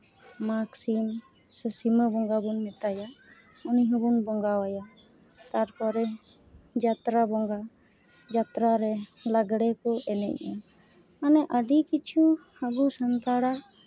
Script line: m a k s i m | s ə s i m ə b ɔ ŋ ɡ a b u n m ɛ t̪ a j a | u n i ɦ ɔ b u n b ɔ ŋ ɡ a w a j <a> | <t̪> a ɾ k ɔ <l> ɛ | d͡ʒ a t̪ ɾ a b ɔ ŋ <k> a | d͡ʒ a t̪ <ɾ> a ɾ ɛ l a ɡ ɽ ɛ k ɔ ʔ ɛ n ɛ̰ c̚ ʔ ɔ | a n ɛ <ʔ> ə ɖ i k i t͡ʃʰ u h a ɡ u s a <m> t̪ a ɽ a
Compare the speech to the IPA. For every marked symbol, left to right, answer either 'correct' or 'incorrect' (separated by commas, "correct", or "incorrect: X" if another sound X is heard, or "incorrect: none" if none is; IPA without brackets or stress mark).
correct, correct, incorrect: ɾ, incorrect: ɡ, correct, correct, incorrect: n